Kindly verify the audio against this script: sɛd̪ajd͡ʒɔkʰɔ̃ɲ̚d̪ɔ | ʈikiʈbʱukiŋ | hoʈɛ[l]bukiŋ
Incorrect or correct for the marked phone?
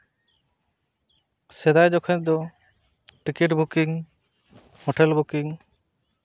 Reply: correct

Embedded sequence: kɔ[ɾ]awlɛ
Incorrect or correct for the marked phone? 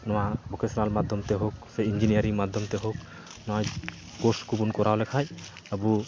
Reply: correct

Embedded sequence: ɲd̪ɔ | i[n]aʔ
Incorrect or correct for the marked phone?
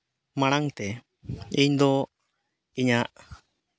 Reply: incorrect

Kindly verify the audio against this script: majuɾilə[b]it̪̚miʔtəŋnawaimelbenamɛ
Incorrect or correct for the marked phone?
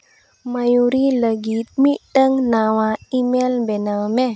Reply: incorrect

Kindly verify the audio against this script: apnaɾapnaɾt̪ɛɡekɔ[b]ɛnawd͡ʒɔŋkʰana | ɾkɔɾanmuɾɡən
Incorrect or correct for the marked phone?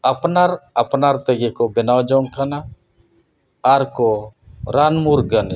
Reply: correct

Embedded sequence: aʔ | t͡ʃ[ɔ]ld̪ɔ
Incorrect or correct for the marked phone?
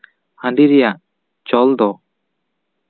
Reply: correct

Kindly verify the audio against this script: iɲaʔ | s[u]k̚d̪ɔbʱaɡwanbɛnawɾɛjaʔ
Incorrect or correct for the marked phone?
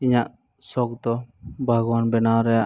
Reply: incorrect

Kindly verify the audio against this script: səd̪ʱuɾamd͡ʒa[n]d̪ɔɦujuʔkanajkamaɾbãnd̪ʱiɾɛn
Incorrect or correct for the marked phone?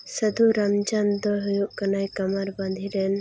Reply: correct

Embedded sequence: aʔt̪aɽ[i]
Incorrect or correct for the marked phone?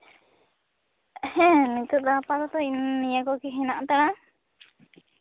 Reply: incorrect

